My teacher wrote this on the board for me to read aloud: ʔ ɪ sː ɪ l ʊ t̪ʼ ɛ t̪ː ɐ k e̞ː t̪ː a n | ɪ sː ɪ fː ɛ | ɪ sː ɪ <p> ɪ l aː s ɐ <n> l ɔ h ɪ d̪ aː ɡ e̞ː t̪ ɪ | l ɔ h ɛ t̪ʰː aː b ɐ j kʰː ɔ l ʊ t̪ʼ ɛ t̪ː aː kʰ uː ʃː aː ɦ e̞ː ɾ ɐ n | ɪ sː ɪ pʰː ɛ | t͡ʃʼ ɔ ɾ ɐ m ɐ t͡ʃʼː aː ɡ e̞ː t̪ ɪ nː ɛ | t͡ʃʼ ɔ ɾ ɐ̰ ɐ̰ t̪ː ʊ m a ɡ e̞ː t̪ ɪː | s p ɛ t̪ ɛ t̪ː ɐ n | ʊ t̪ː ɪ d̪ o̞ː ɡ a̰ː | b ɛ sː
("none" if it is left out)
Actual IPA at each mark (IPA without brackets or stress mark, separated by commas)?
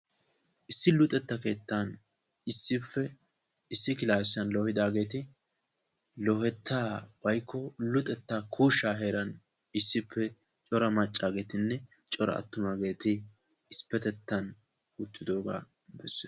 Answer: k, n